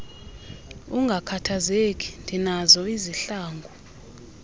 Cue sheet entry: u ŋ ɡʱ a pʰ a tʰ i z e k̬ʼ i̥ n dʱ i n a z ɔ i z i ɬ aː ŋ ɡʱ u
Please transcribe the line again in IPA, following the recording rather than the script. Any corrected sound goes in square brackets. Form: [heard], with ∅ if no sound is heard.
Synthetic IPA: u ŋ ɡʱ a [kʰ] a tʰ [a] z e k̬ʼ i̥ n dʱ i n a z ɔ i z i ɬ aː ŋ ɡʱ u